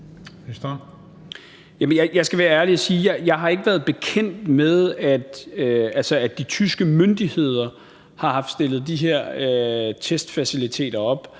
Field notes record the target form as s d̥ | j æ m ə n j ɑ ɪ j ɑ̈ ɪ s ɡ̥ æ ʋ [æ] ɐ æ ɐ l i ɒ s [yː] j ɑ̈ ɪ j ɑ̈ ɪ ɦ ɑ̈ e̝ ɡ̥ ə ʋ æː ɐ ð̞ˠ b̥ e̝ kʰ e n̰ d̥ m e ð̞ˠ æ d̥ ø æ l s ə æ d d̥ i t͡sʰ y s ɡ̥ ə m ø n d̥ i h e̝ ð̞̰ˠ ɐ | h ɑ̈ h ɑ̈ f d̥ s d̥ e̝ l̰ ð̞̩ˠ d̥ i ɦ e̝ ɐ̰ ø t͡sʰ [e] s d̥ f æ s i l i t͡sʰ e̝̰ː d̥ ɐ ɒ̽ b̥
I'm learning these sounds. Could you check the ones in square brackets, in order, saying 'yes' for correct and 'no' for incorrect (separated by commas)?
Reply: no, no, yes